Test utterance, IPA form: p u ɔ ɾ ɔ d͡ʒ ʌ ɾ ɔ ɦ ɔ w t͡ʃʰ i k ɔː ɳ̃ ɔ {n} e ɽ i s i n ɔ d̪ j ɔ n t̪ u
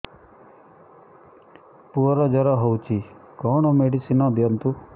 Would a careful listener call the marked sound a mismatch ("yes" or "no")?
yes